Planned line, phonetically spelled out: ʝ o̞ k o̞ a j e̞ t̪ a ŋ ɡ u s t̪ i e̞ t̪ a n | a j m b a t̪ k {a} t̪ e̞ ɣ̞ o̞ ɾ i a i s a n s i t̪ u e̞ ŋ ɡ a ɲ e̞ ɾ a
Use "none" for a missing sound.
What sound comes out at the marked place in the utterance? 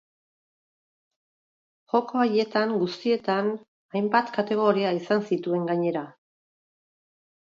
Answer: a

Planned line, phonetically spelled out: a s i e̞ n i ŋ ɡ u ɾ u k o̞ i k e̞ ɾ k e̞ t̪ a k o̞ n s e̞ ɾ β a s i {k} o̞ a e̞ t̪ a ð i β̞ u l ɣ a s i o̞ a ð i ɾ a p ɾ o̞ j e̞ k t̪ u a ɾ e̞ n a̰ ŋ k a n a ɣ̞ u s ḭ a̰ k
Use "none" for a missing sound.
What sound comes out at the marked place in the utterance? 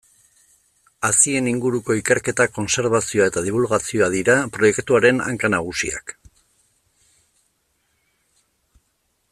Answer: none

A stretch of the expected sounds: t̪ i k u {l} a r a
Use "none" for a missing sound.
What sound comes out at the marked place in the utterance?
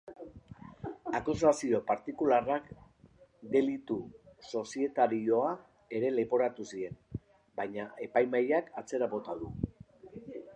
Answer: l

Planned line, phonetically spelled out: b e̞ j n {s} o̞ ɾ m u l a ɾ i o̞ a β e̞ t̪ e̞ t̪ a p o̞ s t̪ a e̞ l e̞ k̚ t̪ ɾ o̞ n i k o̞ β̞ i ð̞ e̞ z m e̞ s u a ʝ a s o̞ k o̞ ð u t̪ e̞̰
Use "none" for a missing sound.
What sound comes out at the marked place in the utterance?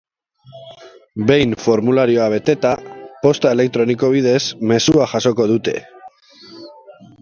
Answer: f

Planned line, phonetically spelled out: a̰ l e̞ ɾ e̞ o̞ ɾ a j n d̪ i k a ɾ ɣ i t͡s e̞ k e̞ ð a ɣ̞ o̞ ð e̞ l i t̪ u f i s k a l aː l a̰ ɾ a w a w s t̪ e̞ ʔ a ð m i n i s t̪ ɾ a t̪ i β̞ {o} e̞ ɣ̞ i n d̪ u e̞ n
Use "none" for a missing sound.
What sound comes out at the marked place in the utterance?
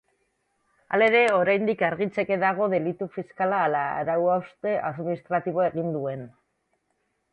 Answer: o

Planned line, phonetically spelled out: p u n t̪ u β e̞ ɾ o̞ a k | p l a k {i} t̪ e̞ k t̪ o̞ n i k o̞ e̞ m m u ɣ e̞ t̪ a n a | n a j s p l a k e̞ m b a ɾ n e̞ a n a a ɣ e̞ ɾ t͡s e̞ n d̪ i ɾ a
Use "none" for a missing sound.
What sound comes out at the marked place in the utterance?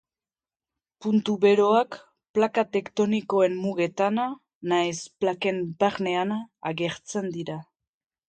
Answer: a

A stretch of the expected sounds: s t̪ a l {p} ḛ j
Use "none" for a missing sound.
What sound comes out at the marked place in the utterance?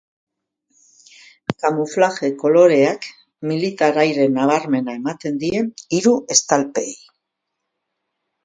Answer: p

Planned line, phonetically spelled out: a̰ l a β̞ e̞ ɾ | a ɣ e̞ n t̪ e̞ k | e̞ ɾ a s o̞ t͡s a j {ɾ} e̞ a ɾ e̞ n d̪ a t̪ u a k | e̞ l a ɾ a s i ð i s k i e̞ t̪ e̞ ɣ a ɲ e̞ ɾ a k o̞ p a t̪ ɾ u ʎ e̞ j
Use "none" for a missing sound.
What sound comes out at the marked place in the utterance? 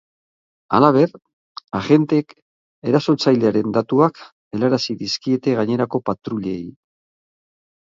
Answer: l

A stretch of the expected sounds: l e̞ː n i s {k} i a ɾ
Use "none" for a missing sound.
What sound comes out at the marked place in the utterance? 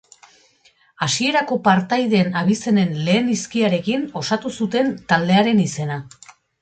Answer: k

